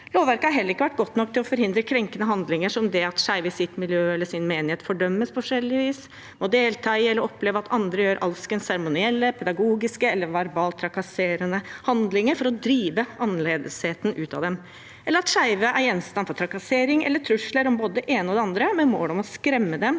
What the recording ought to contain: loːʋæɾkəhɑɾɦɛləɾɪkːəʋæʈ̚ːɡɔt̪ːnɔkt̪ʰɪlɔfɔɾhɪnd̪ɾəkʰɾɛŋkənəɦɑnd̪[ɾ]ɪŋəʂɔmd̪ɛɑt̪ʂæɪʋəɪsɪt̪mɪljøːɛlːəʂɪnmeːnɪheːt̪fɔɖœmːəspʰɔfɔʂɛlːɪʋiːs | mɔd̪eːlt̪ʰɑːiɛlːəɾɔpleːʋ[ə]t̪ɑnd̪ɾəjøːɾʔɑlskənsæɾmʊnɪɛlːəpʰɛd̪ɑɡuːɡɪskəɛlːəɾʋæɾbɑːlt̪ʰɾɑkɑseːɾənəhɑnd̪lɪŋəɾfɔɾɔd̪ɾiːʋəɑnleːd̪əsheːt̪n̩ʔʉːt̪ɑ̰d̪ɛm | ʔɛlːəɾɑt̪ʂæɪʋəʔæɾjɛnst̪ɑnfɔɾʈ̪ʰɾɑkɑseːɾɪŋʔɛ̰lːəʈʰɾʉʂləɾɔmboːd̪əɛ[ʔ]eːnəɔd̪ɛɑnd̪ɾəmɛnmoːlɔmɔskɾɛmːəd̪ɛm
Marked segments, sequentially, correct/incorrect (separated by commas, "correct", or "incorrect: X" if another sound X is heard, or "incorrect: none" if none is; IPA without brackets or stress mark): incorrect: l, incorrect: ɑ, correct